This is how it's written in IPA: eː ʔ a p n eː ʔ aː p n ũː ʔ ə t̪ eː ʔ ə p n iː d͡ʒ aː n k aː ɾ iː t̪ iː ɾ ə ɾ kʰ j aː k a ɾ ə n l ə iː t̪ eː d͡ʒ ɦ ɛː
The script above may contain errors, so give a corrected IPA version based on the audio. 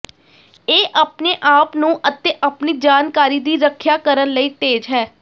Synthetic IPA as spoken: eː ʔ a p n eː ʔ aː p n ũː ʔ ə t̪ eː ʔ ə p n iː d͡ʒ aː n k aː ɾ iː d̪ iː ɾ ə kʰ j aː k ə ɾ ə n l ə iː t̪ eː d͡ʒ ɦ ɛː